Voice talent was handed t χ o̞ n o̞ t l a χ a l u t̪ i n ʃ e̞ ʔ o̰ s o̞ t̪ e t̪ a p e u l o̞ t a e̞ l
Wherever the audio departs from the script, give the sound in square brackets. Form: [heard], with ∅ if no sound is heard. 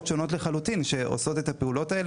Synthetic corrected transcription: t [ʃ] o̞ n o̞ t l [e] χ a l u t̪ i n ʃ e̞ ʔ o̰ s o̞ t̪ e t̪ a p e u l o̞ t a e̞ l